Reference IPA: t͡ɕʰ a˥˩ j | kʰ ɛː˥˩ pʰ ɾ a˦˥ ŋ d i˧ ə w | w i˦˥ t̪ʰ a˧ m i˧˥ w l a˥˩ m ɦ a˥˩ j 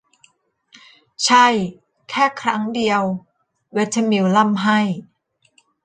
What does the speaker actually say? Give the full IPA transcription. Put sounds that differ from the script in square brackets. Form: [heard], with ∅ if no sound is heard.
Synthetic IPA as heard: t͡ɕʰ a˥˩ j | kʰ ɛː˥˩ [kʰ] ɾ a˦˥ ŋ d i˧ ə w | w [e˦˥] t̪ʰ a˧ m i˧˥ w l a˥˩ m ɦ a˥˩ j